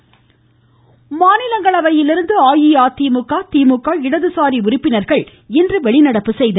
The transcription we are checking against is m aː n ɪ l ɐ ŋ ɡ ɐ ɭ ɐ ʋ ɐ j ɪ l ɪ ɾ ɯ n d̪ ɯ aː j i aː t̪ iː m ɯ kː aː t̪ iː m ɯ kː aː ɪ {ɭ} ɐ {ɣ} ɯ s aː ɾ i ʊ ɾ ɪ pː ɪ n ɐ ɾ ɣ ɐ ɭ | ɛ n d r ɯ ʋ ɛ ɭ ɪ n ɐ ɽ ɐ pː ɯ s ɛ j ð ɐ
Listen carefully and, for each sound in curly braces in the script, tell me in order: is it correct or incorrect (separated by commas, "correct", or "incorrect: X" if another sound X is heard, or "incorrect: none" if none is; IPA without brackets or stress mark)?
incorrect: ɽ, incorrect: ð